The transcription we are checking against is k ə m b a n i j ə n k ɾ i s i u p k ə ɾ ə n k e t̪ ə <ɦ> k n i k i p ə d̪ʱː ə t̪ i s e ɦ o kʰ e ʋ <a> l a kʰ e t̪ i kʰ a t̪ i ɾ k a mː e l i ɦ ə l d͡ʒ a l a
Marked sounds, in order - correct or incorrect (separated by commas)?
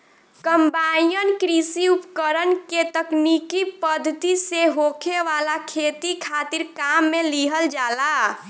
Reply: incorrect, correct